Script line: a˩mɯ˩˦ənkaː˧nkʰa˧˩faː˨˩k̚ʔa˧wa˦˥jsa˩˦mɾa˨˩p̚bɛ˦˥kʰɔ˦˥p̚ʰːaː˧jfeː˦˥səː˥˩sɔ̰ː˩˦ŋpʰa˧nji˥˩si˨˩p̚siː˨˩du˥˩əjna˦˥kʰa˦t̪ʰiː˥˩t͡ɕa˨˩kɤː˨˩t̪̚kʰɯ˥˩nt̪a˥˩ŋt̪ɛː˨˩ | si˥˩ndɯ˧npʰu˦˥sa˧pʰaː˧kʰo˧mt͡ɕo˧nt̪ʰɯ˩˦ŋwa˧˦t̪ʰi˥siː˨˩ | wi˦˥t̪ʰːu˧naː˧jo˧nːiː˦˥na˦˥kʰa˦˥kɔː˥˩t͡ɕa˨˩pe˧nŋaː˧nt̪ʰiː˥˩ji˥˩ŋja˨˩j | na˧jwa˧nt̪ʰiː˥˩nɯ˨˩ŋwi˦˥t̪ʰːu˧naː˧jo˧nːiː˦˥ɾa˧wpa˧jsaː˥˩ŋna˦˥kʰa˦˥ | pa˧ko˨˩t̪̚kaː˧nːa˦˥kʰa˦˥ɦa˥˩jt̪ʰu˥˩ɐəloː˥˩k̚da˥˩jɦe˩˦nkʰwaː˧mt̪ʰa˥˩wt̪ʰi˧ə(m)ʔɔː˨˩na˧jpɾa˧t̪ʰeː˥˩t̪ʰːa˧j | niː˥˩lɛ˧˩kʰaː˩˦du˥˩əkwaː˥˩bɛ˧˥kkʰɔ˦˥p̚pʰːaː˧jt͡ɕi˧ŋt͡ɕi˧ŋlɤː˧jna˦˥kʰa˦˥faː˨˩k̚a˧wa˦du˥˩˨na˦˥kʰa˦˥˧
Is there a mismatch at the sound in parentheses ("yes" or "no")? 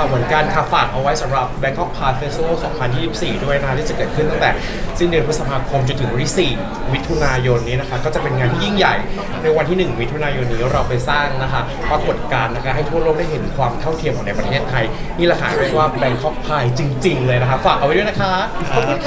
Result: no